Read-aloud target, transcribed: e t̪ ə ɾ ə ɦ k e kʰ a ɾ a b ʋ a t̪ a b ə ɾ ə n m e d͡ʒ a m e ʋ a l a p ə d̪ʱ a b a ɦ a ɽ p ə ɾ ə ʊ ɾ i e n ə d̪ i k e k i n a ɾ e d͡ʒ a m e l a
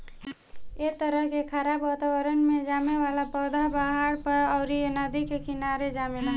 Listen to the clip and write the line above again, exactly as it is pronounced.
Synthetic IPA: e t̪ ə ɾ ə ɦ k e kʰ a ɾ a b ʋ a t̪ a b ə ɾ ə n m e d͡ʒ a m e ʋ a l a p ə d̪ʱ a b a ɦ a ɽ p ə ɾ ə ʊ ɾ i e n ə d̪ i k e k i n a ɾ e d͡ʒ a m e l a